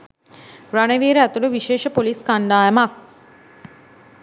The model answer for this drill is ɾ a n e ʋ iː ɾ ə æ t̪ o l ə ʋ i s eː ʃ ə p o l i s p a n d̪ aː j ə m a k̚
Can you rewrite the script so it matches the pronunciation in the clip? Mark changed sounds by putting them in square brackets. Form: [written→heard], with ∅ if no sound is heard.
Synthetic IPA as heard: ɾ a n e ʋ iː ɾ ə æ t̪ [o→u] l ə ʋ i [s→ʃ] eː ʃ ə p o l i s [p→k] a n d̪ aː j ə m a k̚